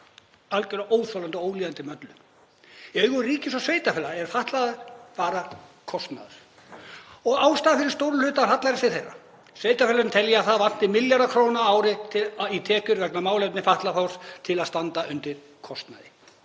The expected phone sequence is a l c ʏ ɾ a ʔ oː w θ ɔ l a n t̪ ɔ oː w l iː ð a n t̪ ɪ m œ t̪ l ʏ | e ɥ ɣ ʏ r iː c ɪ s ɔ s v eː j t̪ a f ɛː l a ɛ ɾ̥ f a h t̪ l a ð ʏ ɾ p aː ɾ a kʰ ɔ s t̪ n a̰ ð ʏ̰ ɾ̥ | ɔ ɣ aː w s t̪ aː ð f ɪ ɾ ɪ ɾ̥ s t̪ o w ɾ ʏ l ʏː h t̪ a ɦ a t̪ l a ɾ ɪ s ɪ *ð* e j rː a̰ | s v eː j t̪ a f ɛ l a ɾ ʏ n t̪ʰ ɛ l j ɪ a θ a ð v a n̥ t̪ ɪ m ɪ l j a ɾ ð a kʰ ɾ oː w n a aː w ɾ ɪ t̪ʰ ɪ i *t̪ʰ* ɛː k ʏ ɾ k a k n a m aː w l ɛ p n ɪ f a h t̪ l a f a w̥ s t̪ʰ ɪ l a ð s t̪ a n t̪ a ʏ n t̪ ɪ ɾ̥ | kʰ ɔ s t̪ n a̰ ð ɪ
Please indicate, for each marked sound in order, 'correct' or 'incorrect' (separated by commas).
incorrect, correct